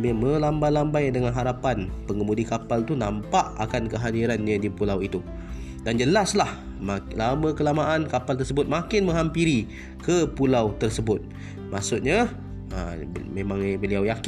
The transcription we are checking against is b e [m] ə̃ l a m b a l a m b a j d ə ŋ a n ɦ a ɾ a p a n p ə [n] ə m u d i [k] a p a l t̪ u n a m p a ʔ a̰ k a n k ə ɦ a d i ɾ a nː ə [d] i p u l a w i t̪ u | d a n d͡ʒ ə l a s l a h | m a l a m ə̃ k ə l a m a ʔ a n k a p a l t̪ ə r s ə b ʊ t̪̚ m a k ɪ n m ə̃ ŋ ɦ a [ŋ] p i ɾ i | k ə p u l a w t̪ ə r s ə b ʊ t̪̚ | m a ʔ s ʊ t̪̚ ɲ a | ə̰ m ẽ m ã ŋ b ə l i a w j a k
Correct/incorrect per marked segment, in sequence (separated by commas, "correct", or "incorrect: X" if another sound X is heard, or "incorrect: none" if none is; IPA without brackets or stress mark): correct, incorrect: ŋ, correct, correct, incorrect: m